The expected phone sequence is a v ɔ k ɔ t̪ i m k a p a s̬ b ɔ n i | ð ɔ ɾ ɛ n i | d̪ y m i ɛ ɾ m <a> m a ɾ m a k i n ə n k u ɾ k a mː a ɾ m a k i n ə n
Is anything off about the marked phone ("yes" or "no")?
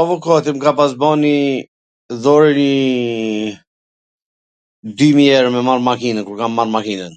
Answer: yes